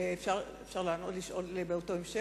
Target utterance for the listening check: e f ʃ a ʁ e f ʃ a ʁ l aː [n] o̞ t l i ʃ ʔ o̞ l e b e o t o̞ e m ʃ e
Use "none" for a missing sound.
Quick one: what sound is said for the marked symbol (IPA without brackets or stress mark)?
n